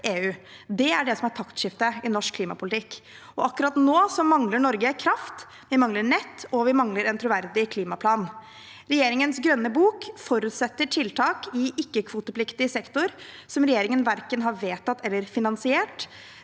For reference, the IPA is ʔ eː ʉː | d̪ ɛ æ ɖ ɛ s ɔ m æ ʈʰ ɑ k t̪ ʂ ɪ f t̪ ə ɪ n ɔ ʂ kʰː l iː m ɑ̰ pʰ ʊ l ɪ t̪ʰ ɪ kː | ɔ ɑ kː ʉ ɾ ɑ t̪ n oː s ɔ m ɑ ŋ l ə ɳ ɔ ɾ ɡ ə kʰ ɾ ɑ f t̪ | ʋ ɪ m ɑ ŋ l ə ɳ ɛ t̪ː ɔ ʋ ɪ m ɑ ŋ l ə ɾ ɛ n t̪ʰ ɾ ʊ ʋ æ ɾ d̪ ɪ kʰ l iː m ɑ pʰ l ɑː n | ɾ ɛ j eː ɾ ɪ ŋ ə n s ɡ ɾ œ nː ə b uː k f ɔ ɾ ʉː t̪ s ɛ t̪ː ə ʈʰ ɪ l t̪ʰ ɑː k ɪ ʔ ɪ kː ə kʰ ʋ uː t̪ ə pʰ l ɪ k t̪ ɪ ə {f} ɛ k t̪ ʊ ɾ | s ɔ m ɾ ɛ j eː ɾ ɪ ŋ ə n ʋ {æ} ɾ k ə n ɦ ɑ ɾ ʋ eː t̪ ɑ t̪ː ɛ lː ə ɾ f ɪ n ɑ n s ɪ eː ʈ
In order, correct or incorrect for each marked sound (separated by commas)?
incorrect, correct